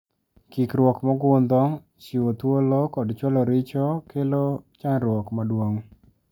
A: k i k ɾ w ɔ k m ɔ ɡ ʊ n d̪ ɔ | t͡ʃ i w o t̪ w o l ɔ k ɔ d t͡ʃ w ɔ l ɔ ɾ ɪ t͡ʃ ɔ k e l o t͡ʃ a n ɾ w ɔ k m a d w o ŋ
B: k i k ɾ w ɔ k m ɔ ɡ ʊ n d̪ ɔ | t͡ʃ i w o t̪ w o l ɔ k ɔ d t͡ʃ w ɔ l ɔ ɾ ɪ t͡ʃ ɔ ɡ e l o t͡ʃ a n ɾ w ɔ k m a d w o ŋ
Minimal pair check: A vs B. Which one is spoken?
A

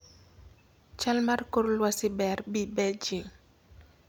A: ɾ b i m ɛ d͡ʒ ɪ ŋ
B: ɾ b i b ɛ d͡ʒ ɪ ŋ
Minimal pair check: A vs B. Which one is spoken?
B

